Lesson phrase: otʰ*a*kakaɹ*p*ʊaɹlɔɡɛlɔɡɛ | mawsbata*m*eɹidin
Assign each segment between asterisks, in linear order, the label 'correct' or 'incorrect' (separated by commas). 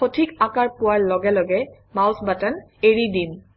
incorrect, correct, incorrect